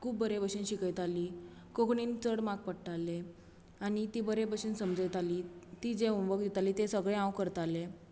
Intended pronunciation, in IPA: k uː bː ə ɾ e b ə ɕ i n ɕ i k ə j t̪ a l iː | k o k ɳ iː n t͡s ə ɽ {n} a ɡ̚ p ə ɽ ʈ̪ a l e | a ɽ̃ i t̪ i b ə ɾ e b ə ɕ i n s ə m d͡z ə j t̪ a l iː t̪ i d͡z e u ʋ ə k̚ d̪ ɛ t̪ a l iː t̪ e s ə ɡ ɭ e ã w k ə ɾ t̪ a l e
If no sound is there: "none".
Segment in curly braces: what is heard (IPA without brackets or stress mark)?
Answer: m